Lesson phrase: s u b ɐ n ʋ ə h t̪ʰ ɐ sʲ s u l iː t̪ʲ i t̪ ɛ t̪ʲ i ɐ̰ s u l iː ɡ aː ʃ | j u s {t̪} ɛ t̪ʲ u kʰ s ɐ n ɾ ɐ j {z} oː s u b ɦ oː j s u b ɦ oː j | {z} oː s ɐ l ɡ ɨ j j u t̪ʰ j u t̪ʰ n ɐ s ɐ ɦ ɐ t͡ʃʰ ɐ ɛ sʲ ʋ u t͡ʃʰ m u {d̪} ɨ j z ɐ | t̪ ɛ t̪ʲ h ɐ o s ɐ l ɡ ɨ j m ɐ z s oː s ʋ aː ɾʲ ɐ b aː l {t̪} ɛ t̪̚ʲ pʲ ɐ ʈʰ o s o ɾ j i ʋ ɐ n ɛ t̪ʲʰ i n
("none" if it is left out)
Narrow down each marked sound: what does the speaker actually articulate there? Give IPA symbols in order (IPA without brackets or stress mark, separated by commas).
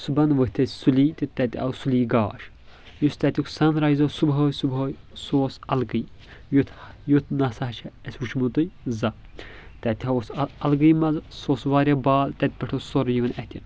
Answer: t̪, z, s, t̪, t̪